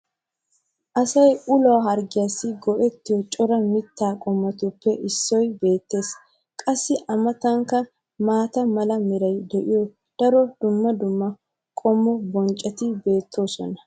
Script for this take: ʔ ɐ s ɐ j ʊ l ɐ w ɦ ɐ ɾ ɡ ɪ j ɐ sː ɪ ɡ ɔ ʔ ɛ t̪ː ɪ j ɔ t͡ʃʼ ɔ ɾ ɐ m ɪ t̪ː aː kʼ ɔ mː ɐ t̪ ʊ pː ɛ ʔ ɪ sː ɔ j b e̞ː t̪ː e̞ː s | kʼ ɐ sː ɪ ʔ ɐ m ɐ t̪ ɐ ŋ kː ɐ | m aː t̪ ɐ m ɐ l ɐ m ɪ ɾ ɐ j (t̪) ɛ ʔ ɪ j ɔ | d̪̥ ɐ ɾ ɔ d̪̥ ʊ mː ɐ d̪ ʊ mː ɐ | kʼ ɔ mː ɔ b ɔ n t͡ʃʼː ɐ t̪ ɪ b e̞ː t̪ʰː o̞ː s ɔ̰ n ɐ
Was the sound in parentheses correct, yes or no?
no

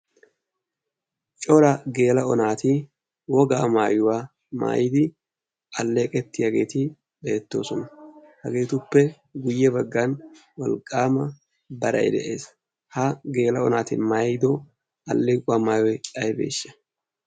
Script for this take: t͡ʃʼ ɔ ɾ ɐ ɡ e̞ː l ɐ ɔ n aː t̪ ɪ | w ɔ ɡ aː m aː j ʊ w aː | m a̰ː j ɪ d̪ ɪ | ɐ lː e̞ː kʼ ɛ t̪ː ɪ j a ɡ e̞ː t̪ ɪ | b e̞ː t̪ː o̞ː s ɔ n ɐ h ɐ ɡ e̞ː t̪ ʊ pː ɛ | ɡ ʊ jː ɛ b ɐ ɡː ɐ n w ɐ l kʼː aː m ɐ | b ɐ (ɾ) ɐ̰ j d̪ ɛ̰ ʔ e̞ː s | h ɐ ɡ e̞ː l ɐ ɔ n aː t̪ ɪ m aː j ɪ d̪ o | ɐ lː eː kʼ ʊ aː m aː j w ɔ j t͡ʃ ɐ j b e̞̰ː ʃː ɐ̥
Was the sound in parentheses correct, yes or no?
yes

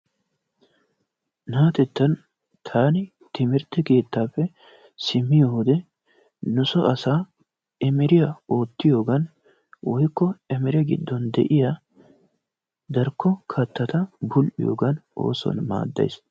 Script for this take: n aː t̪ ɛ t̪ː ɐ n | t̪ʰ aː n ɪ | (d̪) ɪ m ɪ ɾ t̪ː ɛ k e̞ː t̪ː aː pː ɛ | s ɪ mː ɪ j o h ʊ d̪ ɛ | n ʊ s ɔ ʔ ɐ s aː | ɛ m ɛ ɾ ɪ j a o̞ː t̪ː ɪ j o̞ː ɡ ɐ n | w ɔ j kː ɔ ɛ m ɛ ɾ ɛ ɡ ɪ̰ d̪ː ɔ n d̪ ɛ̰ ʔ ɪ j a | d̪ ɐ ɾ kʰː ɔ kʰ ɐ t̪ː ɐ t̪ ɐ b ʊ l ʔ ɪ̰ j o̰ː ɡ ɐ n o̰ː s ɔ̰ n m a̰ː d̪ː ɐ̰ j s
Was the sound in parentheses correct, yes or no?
no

